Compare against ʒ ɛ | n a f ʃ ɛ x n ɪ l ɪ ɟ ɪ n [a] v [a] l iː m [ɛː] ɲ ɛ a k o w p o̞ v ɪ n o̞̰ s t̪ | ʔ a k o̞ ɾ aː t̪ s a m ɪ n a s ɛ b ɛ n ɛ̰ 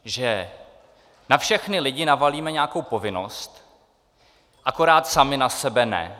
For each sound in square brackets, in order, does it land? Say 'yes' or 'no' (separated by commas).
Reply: yes, yes, no